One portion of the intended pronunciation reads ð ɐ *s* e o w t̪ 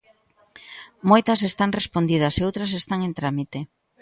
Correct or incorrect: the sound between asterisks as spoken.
correct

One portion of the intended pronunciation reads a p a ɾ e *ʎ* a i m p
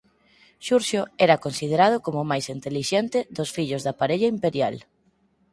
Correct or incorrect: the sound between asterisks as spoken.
correct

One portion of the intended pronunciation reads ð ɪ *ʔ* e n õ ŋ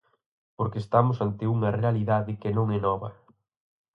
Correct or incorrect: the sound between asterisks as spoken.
incorrect: k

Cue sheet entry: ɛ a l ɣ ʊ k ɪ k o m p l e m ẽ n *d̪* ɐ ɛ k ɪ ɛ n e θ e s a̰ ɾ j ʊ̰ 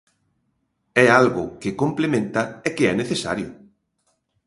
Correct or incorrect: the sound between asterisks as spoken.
incorrect: t̪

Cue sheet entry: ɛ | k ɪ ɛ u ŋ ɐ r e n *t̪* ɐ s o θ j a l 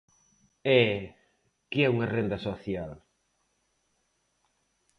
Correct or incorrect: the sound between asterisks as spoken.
incorrect: d̪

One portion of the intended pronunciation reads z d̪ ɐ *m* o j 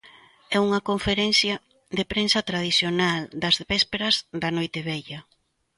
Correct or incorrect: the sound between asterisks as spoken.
incorrect: n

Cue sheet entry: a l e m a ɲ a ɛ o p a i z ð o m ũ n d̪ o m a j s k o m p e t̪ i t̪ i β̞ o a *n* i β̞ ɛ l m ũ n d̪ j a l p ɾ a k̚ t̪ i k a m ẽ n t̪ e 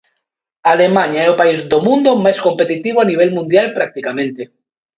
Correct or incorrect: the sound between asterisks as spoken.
correct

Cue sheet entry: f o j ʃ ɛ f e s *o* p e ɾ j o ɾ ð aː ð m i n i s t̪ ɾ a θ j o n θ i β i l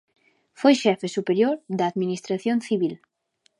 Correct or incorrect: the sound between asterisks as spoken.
incorrect: u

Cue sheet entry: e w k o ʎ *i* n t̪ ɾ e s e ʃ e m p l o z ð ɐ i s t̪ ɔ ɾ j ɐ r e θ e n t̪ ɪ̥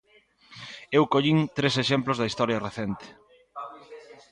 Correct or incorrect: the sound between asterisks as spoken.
correct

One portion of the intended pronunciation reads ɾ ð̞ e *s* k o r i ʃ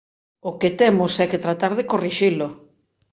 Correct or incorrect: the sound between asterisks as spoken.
incorrect: none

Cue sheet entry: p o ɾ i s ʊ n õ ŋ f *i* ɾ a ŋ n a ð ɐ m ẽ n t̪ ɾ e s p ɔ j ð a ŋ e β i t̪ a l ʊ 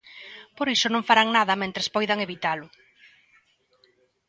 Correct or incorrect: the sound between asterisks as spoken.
incorrect: a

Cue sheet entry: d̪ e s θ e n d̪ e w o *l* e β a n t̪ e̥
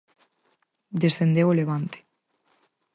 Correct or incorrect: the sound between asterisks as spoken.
correct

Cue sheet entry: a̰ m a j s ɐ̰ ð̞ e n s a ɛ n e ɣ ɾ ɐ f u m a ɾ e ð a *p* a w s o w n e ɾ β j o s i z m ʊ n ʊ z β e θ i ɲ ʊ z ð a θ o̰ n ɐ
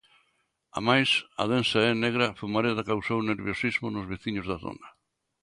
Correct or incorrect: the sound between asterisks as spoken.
incorrect: k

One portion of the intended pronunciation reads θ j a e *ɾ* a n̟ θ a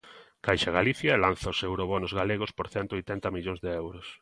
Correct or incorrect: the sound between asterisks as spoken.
incorrect: l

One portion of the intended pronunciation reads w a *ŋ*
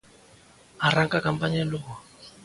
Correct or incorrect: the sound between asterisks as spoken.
incorrect: none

